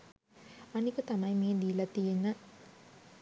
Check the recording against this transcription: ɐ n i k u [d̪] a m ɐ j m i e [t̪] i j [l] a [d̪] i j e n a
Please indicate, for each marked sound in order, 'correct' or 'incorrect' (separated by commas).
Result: incorrect, incorrect, correct, incorrect